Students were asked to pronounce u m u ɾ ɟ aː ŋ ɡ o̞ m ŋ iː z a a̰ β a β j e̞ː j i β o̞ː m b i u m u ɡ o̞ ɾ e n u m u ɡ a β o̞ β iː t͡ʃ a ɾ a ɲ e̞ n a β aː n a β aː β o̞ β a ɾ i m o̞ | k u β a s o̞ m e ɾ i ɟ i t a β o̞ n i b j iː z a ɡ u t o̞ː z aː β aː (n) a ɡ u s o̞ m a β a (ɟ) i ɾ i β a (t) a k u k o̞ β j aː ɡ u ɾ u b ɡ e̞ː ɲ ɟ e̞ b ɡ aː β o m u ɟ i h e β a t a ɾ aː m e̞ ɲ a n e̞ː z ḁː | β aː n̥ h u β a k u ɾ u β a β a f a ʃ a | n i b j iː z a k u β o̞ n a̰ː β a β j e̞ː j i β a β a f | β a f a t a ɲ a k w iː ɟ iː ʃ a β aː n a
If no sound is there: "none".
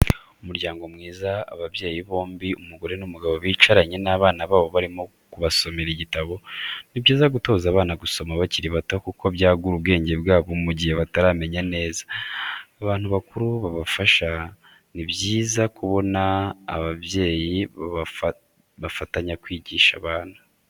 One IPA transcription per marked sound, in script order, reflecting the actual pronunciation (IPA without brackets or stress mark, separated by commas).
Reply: n, c, t